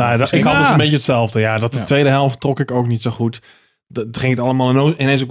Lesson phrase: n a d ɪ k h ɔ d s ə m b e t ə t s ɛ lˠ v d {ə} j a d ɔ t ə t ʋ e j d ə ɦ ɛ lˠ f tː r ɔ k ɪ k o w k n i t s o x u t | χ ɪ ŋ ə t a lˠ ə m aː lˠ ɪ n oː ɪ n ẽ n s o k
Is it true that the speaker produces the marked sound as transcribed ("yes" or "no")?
yes